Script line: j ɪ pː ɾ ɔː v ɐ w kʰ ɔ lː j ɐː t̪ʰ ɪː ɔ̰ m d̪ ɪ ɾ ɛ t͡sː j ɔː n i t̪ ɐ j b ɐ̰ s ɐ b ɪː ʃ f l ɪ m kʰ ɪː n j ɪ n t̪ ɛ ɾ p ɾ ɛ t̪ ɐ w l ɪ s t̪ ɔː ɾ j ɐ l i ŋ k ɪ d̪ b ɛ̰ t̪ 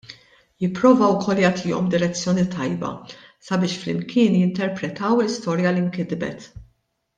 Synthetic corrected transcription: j ɪ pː ɾ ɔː v ɐ w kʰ ɔ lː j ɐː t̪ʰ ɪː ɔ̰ m d̪ ɪ ɾ ɛ t͡sː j ɔː n i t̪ ɐ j b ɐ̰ s ɐ b ɪː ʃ f l ɪ m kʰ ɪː n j ɪ n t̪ ɛ ɾ p ɾ ɛ t̪ ɐ w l ɪ s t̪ ɔː ɾ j ɐ l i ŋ k ɪ d̪ b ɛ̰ t̪